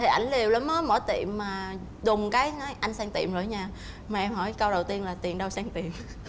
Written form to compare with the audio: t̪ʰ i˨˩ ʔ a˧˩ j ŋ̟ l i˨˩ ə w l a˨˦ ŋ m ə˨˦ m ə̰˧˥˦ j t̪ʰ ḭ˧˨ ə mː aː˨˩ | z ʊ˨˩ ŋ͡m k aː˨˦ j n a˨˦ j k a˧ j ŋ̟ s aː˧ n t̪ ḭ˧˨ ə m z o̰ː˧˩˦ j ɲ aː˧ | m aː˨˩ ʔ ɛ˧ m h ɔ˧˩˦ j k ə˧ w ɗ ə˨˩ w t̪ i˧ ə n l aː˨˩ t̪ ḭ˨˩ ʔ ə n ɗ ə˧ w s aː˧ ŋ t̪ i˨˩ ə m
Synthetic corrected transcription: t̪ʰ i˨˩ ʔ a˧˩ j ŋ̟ l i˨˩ ə w l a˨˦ m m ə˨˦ m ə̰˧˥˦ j t̪ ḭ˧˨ ə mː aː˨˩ | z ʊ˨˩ ŋ͡m k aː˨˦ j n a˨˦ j ʔ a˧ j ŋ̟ s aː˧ ŋ t̪ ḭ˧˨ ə m z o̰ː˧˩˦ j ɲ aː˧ | m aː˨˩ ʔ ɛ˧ m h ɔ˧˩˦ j k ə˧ w ɗ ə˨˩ w t̪ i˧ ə n l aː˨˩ t̪ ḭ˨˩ ə n ɗ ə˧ w s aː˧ ŋ t̪ i˨˩ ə m